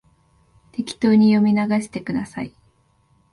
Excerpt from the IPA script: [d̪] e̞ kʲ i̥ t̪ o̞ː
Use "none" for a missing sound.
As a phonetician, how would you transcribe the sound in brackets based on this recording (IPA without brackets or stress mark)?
t̪